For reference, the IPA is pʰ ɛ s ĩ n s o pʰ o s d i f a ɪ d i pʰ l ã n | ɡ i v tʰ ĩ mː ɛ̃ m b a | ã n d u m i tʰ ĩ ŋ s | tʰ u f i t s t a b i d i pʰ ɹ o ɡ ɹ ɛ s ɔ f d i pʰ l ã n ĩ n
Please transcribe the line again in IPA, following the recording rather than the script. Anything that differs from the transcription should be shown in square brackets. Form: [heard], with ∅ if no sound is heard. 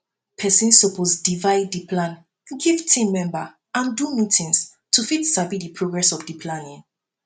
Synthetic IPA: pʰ ɛ s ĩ n s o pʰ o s d i [v] a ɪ d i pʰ l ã n | ɡ i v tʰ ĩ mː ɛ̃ m b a | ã n d u m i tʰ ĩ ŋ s | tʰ u f i t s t a b i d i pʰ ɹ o ɡ ɹ ɛ s ɔ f d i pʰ l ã n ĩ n